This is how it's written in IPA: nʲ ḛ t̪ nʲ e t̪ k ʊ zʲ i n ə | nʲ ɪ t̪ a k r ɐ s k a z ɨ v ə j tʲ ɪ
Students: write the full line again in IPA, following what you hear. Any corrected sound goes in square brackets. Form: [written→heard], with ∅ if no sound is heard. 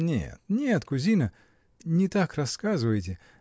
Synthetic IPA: nʲ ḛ t̪ nʲ e t̪ k ʊ zʲ i n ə | nʲ ɪ t̪ a k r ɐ s k a z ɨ v ə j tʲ ɪ

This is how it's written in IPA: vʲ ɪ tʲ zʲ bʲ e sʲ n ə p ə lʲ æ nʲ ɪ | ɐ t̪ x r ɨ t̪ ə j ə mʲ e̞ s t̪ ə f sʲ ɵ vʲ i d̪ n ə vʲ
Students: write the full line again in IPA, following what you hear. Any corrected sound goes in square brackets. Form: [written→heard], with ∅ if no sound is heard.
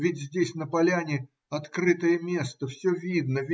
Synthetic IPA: vʲ ɪ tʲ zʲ [bʲ→dʲ] e sʲ n ə p [ə→ɐ] lʲ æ nʲ ɪ | ɐ t̪ [x→k] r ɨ t̪ ə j ə mʲ e̞ s t̪ ə f sʲ ɵ vʲ i d̪ n ə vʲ

